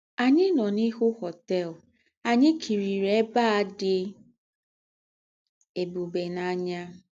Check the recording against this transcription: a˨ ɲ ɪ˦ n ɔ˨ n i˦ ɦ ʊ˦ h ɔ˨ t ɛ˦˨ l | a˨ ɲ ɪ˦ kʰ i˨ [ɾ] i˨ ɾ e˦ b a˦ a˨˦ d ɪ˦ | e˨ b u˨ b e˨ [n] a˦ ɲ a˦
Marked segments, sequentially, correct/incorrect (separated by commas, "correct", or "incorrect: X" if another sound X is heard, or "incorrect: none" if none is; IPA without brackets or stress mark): correct, correct